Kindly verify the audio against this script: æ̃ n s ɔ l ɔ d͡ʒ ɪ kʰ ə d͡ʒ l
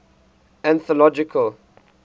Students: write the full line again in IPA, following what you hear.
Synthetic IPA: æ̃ n θ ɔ l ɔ d͡ʒ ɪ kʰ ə l